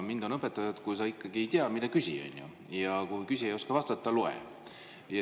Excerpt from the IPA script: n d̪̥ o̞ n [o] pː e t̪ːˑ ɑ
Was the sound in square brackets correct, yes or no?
no